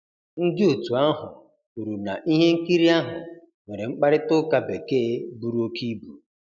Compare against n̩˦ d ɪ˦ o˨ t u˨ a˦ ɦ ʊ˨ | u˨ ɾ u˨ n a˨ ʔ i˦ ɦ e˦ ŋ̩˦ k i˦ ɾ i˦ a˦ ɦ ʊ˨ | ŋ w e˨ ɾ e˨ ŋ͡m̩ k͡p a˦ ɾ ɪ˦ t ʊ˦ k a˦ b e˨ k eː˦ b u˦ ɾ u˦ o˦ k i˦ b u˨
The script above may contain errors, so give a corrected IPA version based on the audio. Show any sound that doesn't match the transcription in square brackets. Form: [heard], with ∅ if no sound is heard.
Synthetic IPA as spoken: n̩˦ d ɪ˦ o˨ t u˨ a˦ ɦ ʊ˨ | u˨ ɾ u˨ n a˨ ʔ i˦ ɦ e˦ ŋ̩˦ k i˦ ɾ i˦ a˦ ɦ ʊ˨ | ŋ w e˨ ɾ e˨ ŋ͡m̩ k͡p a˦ ɾ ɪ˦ t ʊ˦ k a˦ b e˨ k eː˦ b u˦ ɾ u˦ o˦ k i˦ b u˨